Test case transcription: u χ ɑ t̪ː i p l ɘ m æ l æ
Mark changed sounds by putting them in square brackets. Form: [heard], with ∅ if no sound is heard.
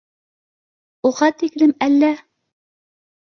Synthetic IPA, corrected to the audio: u [ʁ] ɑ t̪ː i [k] l ɘ m æ [lː] æ